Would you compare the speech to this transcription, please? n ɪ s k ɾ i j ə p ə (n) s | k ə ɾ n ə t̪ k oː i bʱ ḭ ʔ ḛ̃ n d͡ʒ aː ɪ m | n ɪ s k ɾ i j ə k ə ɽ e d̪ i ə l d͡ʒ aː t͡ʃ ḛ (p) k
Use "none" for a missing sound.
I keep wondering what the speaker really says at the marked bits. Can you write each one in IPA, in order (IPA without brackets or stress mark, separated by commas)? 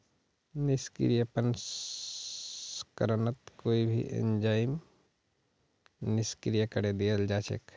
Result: n, none